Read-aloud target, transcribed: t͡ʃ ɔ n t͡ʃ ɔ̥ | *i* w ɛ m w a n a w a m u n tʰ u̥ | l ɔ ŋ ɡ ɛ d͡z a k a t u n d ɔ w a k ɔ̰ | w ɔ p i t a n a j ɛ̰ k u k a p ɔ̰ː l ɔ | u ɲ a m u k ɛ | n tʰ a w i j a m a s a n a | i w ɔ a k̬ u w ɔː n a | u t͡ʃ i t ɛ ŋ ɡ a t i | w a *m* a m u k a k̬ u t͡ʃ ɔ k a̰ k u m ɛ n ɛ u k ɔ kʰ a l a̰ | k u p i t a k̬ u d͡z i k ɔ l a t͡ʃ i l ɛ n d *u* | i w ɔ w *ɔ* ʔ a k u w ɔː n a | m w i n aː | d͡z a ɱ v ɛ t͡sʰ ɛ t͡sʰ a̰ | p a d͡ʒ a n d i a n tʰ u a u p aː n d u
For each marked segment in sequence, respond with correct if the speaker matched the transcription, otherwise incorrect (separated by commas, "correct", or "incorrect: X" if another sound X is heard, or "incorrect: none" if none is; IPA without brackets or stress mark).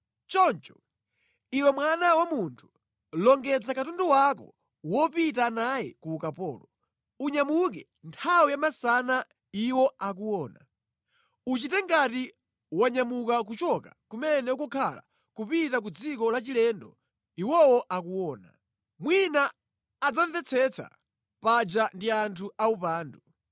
correct, incorrect: ɲ, incorrect: ɔ, correct